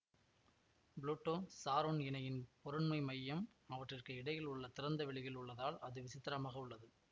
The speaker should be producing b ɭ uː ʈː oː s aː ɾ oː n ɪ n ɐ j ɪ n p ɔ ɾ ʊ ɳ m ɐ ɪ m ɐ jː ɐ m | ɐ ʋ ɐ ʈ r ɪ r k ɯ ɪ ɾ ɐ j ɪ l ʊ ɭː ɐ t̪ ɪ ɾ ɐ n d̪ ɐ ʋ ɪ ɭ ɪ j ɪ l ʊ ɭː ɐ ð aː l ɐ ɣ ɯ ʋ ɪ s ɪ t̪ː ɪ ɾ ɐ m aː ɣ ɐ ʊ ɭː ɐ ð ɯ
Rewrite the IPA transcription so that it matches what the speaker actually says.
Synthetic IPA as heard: b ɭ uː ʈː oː s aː ɾ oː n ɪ n ɐ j ɪ n p ɔ ɾ ɯ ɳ m ɐ ɪ m ɐ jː ɐ m | ɐ ʋ ɐ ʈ r ɪ r k ɯ ɪ ɽ ɐ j ɪ l ʊ ɭː ɐ t̪ ɪ ɾ ɐ n d̪ ɐ ʋ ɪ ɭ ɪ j ɪ l ʊ ɭː ɐ ð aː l ɐ ð ɯ ʋ ɪ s ɪ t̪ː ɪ ɾ ɐ m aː ɣ ɐ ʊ ɭː ɐ ð ɯ